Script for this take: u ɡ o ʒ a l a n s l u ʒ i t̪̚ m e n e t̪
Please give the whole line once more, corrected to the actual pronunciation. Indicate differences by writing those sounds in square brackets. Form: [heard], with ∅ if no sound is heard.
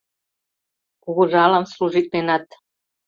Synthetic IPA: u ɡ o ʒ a l a [m] s l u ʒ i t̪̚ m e n [a] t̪